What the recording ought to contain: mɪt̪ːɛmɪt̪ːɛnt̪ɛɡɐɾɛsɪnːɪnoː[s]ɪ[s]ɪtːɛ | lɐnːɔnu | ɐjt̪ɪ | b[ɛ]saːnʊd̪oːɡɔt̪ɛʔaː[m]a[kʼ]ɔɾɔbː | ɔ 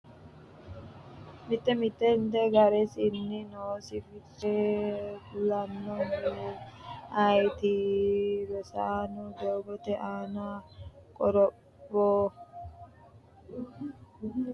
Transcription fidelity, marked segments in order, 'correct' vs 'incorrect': correct, incorrect: f, correct, incorrect: n, correct

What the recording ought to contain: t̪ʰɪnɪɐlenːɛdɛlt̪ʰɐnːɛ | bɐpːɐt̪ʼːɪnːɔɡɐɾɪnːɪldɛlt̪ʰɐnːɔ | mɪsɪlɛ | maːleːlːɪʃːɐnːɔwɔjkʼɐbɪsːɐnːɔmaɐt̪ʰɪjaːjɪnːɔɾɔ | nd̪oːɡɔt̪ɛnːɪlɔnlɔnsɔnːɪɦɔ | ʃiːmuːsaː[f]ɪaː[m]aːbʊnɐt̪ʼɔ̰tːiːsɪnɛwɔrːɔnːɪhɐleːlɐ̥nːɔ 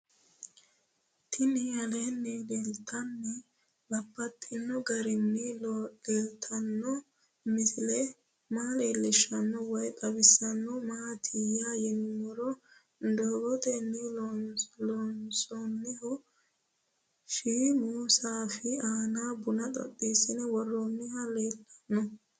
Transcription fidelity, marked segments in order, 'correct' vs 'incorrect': correct, incorrect: n

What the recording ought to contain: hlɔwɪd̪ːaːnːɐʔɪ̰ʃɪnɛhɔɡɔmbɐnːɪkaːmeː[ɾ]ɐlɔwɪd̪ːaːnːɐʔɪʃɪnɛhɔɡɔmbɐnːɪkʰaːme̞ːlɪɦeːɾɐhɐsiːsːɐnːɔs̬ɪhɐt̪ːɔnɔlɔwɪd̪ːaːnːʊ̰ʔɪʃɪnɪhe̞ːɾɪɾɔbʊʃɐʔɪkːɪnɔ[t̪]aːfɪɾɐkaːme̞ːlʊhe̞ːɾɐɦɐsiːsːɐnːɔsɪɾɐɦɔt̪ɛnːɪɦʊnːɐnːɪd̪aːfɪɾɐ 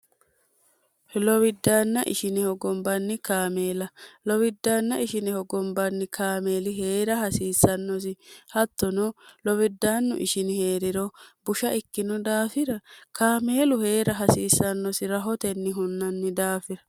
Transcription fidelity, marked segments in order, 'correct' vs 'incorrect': incorrect: l, incorrect: d̪

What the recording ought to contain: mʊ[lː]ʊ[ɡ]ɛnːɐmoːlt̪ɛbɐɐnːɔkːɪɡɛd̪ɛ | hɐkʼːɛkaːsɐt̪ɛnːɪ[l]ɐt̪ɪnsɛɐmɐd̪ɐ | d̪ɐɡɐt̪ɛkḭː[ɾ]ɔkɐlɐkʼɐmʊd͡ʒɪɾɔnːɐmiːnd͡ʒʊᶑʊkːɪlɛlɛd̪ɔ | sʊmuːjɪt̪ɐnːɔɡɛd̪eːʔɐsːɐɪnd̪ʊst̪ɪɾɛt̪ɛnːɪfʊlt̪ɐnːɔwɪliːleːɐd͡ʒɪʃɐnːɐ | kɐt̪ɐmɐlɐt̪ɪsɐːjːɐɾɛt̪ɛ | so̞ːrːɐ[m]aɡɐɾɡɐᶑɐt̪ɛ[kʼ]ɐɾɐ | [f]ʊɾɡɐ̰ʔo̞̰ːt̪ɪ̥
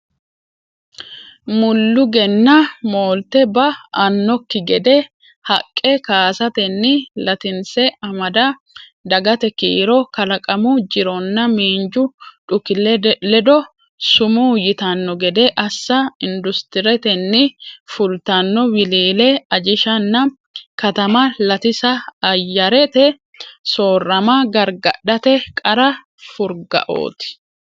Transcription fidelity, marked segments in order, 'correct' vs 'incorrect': correct, correct, correct, correct, correct, correct, correct

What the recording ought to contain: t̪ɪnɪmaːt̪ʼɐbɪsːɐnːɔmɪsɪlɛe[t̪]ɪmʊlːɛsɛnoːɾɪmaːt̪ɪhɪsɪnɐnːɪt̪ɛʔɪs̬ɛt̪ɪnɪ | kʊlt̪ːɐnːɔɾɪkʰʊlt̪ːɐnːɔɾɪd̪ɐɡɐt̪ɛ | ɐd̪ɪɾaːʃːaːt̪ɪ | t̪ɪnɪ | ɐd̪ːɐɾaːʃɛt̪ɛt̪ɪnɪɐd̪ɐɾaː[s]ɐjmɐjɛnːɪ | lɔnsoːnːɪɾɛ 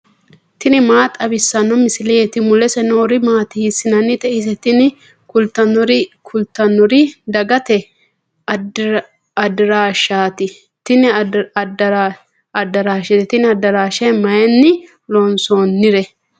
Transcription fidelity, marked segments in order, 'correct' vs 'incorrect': correct, incorrect: ʃ

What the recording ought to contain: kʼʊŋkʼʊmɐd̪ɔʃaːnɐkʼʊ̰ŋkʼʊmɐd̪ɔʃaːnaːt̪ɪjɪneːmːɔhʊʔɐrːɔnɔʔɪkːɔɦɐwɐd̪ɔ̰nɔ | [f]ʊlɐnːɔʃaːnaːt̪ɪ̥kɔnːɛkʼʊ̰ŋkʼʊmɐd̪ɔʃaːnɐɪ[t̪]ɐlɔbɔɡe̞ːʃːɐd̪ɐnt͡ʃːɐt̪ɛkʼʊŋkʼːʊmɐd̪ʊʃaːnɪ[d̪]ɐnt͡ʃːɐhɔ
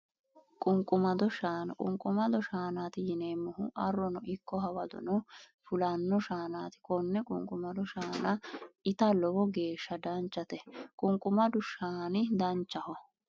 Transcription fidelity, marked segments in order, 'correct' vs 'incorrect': correct, correct, correct

